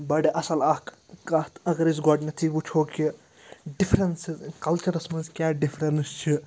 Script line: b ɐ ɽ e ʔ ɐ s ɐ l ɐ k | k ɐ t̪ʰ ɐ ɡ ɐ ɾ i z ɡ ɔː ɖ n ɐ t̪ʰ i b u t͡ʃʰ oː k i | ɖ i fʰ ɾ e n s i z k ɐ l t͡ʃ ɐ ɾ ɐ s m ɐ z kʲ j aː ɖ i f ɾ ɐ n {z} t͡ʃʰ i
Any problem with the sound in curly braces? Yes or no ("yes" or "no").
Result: yes